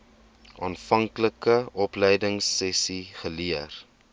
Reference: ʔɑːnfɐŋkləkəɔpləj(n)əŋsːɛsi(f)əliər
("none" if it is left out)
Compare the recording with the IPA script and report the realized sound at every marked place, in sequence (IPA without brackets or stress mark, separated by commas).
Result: d, χ